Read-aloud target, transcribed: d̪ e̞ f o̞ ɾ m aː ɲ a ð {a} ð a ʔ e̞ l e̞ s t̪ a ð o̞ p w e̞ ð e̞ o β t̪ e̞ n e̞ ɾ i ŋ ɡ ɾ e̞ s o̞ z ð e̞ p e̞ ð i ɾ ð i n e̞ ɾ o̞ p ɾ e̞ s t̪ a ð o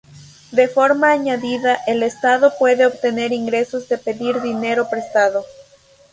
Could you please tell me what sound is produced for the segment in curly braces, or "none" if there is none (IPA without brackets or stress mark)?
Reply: i